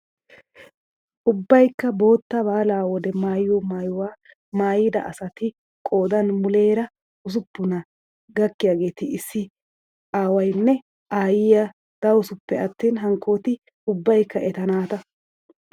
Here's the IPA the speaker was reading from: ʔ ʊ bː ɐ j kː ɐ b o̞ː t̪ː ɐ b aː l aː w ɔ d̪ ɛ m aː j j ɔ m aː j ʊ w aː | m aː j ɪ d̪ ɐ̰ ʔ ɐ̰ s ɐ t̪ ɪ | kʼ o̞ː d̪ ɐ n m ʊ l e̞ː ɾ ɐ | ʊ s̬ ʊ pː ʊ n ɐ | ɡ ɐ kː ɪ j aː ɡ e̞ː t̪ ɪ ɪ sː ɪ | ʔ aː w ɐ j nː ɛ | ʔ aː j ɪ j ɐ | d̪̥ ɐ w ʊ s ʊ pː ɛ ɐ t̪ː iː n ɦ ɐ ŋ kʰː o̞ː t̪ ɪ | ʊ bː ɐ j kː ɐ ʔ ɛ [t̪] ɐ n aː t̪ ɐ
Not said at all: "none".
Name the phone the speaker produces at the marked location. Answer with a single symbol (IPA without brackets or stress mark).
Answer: t̪